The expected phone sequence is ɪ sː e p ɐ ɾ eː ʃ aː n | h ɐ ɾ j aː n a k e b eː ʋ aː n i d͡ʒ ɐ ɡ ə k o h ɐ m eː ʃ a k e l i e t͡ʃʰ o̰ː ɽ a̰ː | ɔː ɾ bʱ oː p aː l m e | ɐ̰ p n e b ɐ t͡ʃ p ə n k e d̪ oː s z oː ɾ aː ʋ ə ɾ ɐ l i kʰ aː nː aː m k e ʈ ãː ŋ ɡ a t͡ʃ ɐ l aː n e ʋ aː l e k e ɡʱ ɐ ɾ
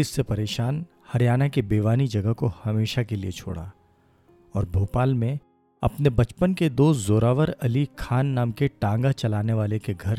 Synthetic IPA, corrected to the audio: ɪ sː e p ɐ ɾ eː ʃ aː n | h ɐ ɾ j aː n a k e b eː ʋ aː n i d͡ʒ ɐ ɡ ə k o h ɐ m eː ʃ a k e l i e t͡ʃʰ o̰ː ɽ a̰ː | ɔː ɾ bʱ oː p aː l m ẽ | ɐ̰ p n e b ɐ t͡ʃ p ə n k e d̪ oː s z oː ɾ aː ʋ ə ɾ ɐ l i kʰ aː nː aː m k e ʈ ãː ŋ ɡ a t͡ʃ ɐ l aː n e ʋ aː l e k e ɡʱ ɐ ɾ